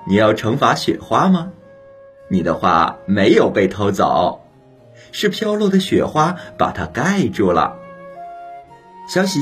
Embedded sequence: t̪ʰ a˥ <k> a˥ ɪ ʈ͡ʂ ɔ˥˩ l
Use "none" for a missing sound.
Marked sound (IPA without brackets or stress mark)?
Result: k